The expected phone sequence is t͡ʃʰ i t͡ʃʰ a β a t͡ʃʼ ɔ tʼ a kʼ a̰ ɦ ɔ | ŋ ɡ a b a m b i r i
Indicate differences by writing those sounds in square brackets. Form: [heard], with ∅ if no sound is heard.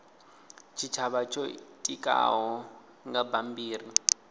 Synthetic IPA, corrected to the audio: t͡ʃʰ i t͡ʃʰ a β a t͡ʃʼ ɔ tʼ [i] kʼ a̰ ɦ ɔ | ŋ ɡ a b a m b [iː] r i